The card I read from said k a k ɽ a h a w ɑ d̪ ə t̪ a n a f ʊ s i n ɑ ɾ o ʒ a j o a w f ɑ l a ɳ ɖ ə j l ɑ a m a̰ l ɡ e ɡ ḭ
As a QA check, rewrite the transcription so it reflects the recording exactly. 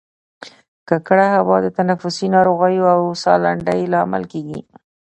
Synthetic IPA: k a k ɽ a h a w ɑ d̪ ə t̪ a n a f ʊ s i n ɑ ɾ o ɣ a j o a w s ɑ l a ɳ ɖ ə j l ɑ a m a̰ l k e ɡ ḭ